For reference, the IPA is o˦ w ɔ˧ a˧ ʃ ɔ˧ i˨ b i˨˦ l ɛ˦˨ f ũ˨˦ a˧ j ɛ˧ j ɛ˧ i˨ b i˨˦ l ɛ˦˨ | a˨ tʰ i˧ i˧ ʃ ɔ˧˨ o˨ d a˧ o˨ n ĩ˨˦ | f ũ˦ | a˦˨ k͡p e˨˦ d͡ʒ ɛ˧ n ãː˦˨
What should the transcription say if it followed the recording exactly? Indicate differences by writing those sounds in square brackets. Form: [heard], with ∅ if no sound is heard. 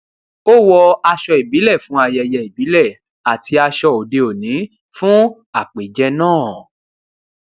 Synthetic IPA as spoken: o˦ w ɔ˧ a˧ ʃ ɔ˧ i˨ b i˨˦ l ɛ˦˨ f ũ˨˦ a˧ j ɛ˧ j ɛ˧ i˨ b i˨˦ l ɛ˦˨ | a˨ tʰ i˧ [a˧] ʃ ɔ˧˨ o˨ d [e˧] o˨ n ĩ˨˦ | f ũ˦ | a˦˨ k͡p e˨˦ d͡ʒ ɛ˧ n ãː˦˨